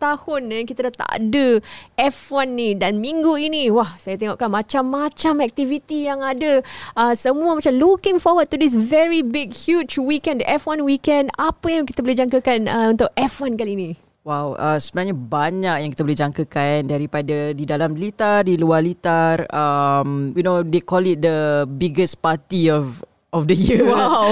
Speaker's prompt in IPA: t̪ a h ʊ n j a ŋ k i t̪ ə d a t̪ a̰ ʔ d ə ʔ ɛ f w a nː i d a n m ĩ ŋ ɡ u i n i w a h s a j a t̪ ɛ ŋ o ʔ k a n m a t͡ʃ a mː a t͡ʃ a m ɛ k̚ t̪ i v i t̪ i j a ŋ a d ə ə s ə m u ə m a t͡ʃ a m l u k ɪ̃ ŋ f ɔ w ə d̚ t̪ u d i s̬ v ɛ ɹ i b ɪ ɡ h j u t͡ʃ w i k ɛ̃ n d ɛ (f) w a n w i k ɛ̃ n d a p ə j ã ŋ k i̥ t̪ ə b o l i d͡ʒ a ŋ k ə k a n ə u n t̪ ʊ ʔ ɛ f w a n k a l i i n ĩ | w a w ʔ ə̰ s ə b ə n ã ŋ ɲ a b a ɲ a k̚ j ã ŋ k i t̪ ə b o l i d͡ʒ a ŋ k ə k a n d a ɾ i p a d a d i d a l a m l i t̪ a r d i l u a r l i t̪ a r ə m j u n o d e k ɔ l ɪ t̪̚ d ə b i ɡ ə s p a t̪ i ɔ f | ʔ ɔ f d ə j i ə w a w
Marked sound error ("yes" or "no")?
no